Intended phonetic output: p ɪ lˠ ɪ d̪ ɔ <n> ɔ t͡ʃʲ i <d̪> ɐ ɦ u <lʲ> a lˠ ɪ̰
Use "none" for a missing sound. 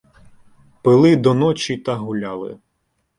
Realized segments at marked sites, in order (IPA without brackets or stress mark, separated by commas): n, t̪, lʲ